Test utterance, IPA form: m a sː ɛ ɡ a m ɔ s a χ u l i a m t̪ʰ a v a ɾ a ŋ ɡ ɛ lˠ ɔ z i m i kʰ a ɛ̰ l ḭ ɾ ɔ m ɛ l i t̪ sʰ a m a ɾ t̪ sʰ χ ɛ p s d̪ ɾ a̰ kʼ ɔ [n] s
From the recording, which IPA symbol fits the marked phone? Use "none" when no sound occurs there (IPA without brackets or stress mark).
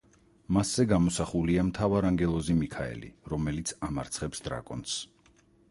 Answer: n